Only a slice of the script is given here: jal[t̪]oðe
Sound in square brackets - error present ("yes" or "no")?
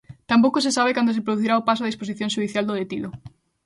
yes